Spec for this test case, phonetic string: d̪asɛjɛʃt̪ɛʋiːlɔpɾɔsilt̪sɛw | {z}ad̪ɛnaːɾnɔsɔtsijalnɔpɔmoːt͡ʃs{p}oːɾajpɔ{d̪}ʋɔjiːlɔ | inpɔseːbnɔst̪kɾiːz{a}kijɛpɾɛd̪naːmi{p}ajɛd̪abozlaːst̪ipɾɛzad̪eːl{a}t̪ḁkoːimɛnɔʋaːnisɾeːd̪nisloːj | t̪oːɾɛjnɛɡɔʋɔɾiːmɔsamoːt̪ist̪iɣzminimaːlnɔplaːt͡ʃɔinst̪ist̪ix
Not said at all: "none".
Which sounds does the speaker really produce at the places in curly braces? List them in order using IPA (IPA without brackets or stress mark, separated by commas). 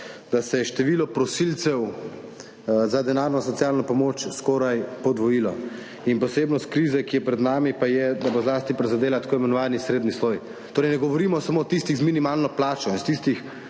z, k, d̪, ɛ, p, a